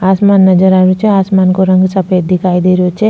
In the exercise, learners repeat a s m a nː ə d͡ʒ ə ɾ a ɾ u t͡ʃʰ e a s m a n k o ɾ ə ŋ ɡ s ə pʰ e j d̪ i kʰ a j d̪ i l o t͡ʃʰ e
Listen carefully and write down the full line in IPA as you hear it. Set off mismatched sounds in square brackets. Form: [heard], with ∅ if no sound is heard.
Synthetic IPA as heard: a s m a nː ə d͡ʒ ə ɾ a ɾ u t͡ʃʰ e a s m a n k o ɾ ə ŋ ɡ s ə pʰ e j d̪ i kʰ a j d̪ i [ɾ] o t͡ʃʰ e